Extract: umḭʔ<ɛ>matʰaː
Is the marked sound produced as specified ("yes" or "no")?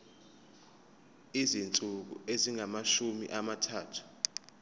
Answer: no